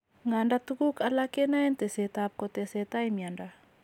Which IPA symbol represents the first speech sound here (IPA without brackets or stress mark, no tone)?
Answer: ŋ